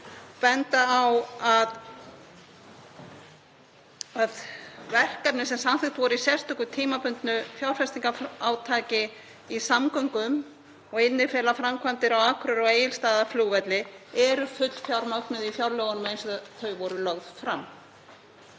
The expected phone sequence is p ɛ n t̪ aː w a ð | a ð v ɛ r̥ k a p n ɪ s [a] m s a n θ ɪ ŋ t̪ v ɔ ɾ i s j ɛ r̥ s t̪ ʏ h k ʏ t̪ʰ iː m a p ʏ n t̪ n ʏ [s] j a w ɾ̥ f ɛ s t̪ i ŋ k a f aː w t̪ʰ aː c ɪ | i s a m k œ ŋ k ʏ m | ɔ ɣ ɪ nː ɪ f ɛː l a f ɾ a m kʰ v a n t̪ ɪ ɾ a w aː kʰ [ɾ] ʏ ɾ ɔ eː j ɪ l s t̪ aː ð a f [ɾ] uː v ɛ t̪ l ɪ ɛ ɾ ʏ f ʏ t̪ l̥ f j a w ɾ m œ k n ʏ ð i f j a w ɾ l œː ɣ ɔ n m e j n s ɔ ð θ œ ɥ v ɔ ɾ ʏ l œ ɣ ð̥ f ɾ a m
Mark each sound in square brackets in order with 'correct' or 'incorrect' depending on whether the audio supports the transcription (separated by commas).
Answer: incorrect, incorrect, correct, incorrect